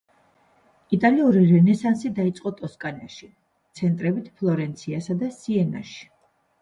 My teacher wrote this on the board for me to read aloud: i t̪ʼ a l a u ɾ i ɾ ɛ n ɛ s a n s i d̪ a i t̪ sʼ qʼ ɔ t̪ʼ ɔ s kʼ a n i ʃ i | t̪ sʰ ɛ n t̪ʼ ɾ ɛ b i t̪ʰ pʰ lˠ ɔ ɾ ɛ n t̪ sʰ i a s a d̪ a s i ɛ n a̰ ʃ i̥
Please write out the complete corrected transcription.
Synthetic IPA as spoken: i t̪ʼ a l i u ɾ i ɾ ɛ n ɛ s a n s i d̪ a i t̪ sʼ qʼ ɔ t̪ʼ ɔ s kʼ a n a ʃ i | t̪ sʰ ɛ n t̪ʼ ɾ ɛ b i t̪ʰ pʰ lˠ ɔ ɾ ɛ n t̪ sʰ i a s a d̪ a s i ɛ n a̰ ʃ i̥